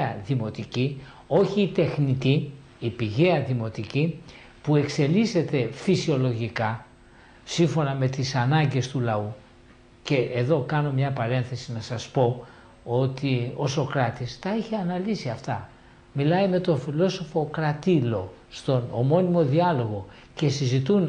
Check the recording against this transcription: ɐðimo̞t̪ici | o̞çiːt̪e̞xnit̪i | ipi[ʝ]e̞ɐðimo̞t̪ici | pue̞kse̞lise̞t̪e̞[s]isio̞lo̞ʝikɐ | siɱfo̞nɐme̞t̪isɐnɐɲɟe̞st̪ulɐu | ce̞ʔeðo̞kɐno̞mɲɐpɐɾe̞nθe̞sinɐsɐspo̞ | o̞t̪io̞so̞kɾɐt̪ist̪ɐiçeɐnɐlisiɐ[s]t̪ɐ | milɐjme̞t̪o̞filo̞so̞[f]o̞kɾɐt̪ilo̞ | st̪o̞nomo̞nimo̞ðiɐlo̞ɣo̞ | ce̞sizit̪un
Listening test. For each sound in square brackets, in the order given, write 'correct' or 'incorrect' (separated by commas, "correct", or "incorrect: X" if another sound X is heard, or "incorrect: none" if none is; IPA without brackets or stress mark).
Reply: correct, incorrect: f, incorrect: f, correct